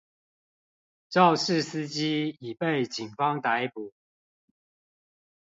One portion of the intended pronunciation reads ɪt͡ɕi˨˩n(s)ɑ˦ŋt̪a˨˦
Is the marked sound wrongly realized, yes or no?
yes